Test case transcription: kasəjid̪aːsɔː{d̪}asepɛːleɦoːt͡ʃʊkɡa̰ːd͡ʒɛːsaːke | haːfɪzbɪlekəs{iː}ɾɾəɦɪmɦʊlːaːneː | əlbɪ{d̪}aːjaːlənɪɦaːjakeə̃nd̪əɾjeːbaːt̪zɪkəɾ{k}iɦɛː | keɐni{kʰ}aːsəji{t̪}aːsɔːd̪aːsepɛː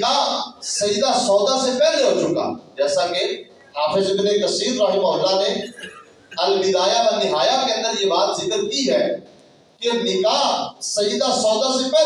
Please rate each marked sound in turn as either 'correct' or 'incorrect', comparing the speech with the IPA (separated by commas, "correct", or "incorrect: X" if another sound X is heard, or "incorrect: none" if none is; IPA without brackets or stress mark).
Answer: correct, correct, correct, correct, incorrect: k, incorrect: d̪